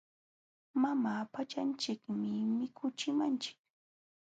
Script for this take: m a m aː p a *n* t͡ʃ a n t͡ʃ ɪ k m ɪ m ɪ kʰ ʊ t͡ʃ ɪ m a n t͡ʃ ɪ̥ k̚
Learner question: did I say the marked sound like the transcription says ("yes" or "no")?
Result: no